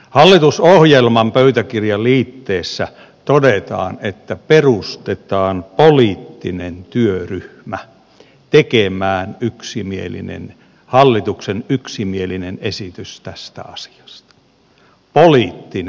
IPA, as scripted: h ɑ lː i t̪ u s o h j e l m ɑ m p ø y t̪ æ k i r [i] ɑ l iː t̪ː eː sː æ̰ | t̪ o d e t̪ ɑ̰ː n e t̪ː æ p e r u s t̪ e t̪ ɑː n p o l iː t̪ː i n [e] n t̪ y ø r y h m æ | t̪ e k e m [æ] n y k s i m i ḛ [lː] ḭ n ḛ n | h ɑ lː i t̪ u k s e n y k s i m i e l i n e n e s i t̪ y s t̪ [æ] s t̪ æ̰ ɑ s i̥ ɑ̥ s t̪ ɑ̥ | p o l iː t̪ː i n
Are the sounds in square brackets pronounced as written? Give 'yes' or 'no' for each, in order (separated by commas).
no, yes, no, no, yes